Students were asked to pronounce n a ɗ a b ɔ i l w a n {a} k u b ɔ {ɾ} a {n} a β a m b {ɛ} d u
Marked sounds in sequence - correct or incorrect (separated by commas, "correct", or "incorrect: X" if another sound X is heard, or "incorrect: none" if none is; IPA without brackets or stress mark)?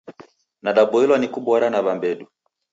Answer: incorrect: i, correct, correct, correct